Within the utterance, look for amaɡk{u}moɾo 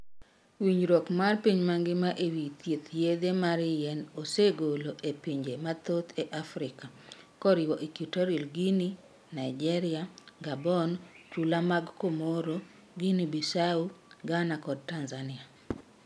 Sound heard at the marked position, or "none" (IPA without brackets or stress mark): o